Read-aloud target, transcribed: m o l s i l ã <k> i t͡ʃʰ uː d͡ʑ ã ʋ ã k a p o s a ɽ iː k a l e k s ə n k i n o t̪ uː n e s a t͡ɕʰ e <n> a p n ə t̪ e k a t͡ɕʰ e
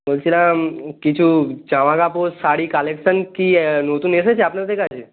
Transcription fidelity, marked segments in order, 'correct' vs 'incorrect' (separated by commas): correct, incorrect